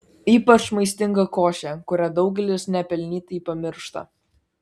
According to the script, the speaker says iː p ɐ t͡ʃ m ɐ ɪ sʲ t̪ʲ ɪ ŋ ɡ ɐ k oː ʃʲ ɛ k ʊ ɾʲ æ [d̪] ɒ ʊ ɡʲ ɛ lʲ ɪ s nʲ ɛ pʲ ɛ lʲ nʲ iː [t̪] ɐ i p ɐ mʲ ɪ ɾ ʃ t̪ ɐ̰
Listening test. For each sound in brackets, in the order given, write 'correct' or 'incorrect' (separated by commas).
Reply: correct, correct